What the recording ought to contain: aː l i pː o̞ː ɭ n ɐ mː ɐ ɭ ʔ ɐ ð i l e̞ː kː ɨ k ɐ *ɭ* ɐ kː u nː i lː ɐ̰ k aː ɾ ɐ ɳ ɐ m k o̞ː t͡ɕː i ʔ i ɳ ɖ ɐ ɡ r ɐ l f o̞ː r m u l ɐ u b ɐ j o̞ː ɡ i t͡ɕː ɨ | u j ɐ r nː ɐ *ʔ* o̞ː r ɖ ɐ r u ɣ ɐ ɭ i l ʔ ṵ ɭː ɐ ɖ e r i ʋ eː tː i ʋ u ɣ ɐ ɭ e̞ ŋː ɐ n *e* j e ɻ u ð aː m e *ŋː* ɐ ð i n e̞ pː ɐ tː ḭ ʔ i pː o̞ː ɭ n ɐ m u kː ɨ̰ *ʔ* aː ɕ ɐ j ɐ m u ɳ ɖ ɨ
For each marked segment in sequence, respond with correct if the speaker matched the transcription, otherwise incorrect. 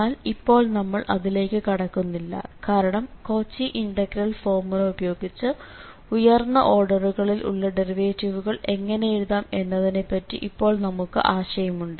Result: incorrect, correct, correct, incorrect, correct

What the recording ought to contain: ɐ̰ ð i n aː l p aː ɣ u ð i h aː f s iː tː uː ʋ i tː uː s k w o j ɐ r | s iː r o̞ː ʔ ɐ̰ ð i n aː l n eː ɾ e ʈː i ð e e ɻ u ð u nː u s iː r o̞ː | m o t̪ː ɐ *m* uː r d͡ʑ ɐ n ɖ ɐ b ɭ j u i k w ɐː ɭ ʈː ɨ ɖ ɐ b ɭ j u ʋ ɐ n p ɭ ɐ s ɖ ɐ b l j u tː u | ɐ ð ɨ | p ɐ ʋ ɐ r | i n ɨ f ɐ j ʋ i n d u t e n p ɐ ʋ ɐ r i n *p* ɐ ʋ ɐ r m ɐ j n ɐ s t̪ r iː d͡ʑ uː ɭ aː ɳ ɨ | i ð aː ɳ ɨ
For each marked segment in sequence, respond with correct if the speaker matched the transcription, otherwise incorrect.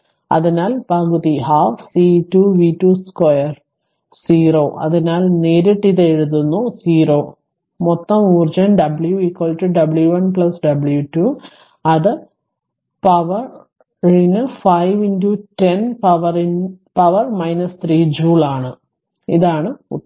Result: correct, correct

